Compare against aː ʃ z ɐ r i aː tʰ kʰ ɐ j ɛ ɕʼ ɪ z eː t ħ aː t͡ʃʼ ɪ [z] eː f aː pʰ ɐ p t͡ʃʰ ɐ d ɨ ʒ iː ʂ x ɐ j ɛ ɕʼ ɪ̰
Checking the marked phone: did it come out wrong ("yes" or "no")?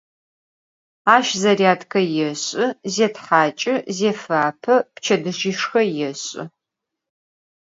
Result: no